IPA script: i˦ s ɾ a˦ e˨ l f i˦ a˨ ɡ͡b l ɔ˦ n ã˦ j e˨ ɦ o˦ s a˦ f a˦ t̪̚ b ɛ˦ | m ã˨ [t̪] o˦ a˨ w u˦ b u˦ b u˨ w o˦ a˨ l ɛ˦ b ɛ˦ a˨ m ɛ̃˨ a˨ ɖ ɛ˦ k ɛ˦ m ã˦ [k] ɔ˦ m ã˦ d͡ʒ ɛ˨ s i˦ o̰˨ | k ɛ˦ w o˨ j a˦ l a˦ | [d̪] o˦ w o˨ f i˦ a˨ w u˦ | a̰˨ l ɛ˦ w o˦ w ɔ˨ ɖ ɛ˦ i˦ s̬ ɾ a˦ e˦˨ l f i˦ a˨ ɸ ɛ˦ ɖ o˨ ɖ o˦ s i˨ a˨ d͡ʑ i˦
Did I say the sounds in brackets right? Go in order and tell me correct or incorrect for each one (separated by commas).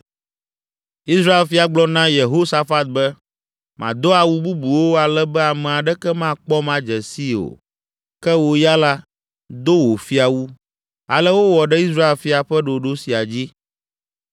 incorrect, incorrect, correct